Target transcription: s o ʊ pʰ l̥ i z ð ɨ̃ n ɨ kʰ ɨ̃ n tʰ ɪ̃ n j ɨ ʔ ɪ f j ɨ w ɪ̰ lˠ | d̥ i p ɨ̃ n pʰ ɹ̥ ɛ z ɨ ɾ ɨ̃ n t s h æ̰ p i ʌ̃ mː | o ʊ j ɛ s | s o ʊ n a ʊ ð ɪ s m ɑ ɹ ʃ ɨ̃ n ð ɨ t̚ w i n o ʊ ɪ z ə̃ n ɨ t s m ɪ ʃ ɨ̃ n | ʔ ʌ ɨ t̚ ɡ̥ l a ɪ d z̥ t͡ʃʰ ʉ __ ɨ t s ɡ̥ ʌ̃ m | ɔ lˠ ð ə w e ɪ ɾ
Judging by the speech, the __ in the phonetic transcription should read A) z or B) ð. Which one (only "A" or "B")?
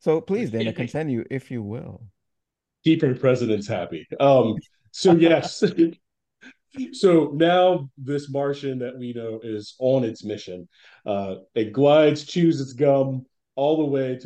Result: A